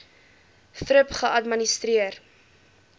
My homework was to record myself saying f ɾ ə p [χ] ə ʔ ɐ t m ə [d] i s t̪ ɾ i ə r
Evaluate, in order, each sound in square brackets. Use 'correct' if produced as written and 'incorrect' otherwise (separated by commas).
correct, incorrect